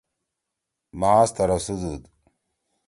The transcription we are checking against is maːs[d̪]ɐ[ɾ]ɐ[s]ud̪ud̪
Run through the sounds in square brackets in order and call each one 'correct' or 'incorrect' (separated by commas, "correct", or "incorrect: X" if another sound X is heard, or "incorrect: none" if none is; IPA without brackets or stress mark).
incorrect: t̪, correct, correct